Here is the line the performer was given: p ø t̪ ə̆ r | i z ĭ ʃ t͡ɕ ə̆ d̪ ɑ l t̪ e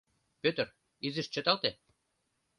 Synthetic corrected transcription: p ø t̪ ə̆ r | i z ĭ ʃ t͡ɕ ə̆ t̪ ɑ l t̪ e